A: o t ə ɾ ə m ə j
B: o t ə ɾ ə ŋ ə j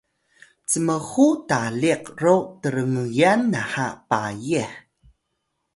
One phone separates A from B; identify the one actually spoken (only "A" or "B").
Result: B